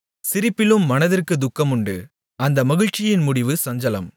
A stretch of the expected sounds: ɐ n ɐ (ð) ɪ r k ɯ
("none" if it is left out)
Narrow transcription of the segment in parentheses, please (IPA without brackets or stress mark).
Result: ð